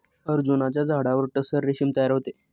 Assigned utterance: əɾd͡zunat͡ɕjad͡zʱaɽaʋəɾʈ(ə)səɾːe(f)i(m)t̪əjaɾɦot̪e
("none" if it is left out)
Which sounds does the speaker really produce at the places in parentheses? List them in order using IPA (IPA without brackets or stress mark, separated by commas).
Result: ə, ɕ, m